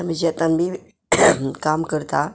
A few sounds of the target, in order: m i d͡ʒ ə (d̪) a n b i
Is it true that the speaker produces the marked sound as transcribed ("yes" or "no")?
no